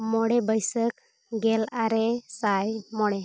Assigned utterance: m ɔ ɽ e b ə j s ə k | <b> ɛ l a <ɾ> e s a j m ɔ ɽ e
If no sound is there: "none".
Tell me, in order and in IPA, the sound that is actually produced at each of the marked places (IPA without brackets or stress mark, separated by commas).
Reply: ɡ, ɾ